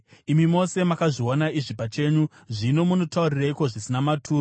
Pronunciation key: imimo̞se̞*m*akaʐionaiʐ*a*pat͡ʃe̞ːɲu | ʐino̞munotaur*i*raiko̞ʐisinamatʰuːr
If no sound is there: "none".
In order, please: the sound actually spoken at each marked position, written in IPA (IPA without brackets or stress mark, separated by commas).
m, i, i